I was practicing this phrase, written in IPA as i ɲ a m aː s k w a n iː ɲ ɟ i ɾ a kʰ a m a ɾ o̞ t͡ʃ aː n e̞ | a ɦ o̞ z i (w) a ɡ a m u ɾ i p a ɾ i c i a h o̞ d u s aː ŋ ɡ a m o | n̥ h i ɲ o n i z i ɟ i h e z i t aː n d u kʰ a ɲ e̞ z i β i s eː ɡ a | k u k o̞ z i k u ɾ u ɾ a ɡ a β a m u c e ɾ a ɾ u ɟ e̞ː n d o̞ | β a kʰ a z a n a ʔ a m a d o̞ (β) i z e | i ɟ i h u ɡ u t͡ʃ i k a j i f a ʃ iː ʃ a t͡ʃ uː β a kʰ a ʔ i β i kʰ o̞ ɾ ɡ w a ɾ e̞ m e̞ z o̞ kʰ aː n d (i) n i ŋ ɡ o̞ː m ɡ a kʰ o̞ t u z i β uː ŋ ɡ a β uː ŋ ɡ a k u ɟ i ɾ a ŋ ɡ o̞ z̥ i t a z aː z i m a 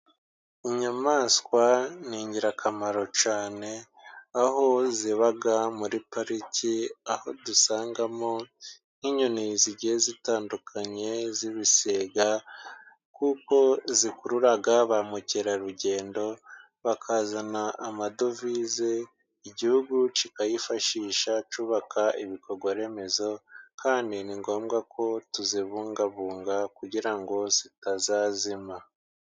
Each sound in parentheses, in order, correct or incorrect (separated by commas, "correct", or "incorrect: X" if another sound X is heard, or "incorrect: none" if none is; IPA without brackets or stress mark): incorrect: β, incorrect: v, correct